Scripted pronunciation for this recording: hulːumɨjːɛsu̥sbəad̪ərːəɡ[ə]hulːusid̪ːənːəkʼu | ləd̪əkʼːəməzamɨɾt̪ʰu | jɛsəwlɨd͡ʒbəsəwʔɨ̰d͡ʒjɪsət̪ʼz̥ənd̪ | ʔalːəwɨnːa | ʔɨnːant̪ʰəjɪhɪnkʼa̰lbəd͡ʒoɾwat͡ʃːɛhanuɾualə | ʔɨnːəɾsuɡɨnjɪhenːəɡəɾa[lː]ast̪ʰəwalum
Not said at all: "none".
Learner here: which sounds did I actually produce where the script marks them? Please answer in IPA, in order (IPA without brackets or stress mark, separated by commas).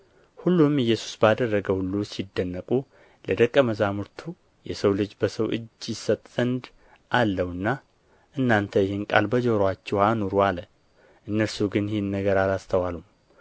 ə, l